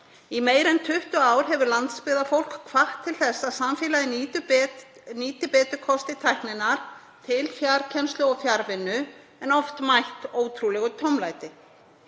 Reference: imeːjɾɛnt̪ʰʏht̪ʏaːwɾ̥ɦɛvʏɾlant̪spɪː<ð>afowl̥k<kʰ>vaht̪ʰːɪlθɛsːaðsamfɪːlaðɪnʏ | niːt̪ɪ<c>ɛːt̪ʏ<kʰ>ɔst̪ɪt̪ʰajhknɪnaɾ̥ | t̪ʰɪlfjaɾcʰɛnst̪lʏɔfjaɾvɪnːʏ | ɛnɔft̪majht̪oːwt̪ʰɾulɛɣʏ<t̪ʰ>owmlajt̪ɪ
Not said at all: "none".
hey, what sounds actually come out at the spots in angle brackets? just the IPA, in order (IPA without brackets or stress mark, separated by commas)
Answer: ð, kʰ, p, kʰ, t̪ʰ